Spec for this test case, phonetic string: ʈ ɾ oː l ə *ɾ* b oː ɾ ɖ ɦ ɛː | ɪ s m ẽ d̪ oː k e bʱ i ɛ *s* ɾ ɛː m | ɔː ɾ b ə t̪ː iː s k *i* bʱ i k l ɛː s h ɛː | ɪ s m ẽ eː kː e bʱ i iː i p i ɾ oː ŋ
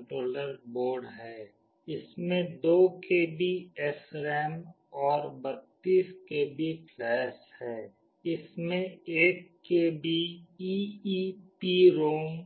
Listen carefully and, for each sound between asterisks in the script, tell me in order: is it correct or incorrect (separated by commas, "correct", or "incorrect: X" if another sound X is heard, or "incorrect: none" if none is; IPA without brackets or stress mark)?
correct, correct, incorrect: e